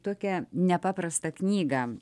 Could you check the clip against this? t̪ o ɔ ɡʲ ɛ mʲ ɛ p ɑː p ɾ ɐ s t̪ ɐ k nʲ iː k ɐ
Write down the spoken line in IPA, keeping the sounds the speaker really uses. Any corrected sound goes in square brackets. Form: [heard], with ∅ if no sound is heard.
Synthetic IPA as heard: t̪ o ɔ [kʲ] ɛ [nʲ] ɛ p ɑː p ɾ ɐ s t̪ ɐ k nʲ iː [ɡ] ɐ

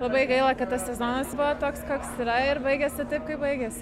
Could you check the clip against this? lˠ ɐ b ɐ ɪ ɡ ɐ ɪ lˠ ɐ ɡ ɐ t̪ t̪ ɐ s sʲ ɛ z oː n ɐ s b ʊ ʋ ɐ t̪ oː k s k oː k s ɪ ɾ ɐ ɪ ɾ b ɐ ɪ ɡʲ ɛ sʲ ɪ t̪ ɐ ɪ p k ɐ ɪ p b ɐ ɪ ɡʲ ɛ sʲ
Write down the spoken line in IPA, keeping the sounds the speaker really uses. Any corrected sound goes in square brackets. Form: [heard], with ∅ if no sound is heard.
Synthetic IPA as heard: lˠ ɐ b ɐ ɪ ɡ ɐ ɪ lˠ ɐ [k] ɐ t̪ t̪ ɐ s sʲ ɛ z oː n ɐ s b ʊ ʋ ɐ t̪ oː k s k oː k s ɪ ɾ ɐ ɪ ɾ b ɐ ɪ ɡʲ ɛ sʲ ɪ t̪ ɐ ɪ p k ɐ ɪ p b ɐ ɪ ɡʲ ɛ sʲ

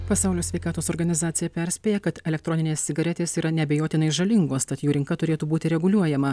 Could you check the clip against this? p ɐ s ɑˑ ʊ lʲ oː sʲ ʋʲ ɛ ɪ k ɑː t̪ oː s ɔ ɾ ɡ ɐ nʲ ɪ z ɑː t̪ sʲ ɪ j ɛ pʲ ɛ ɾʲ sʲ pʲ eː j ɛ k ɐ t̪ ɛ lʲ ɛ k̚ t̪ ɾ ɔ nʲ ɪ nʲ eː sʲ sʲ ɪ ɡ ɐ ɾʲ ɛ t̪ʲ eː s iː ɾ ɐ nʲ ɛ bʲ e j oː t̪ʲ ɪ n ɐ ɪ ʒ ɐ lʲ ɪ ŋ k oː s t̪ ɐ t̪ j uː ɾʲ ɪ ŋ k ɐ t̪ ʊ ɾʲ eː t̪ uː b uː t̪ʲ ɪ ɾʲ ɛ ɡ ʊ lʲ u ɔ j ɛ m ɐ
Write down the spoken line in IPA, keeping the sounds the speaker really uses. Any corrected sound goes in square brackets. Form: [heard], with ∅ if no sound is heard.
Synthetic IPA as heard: p ɐ s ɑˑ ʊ lʲ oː sʲ ʋʲ ɛ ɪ k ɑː t̪ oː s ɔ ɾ ɡ ɐ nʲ ɪ z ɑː t̪ sʲ ɪ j ɛ pʲ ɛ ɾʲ sʲ pʲ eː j ɛ k ɐ t̪ ɛ lʲ ɛ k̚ t̪ ɾ ɔ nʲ ɪ nʲ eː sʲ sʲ ɪ ɡ ɐ ɾʲ ɛ t̪ʲ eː s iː ɾ ɐ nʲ ɛ bʲ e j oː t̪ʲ ɪ n ɐ ɪ ʒ ɐ lʲ ɪ ŋ [ɡ] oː s t̪ ɐ t̪ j uː ɾʲ ɪ ŋ k ɐ t̪ ʊ ɾʲ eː t̪ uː b uː t̪ʲ ɪ ɾʲ ɛ ɡ ʊ lʲ u ɔ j ɛ m ɐ

